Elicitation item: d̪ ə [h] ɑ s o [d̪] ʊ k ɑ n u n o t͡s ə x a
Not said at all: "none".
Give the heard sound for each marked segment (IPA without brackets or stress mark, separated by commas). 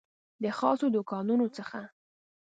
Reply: x, d̪